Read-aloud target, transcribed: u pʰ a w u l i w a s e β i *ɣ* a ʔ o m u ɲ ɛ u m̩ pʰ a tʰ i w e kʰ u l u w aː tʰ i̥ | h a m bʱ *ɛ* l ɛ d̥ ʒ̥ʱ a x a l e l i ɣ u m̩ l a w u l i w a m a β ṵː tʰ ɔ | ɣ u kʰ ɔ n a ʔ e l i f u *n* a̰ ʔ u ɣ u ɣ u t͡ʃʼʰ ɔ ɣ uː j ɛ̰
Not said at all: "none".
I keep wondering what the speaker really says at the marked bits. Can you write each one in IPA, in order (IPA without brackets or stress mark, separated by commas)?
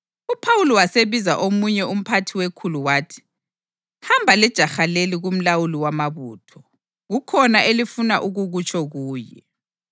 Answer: z, a, n